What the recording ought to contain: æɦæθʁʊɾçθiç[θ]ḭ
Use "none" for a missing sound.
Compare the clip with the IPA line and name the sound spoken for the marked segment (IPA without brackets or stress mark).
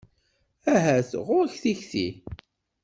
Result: θ